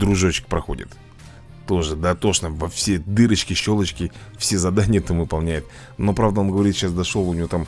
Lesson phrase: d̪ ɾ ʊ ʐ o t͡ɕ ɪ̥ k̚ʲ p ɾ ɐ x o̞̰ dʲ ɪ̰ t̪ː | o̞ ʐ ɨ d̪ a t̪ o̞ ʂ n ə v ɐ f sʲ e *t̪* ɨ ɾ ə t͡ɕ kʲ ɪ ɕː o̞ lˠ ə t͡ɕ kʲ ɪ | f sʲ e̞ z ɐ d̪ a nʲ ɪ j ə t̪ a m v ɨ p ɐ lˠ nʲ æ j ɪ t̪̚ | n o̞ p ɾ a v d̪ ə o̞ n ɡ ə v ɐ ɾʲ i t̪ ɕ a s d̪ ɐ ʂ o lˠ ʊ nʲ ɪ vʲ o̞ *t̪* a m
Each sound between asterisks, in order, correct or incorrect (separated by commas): incorrect, correct